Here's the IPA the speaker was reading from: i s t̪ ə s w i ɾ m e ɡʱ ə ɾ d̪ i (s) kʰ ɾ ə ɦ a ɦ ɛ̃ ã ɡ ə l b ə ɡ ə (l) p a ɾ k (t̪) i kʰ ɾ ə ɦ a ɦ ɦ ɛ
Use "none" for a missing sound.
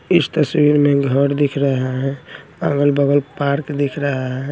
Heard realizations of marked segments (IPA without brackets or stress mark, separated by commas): none, l, d̪